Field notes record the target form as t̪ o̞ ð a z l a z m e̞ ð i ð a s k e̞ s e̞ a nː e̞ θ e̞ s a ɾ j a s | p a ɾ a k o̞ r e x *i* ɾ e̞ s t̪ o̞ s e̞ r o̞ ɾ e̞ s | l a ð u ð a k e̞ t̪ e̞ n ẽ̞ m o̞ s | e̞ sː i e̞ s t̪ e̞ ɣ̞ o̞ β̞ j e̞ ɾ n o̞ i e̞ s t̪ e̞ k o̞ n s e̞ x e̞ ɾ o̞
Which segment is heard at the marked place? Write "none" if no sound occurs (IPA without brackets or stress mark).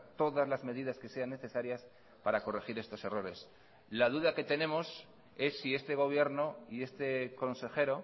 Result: i